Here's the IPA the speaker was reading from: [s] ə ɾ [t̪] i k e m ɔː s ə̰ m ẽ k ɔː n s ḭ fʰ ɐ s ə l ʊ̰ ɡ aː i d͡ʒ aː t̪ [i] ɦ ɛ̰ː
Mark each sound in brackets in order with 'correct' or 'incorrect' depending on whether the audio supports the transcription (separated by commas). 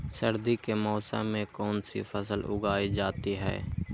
correct, incorrect, correct